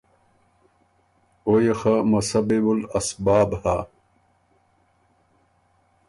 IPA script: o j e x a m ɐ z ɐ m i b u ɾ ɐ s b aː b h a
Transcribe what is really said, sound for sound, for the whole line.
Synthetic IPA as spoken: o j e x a m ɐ s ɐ b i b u l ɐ s b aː b h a